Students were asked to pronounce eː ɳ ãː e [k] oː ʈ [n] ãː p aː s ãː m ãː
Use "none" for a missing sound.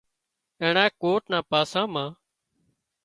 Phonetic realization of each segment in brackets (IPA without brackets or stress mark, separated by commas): k, n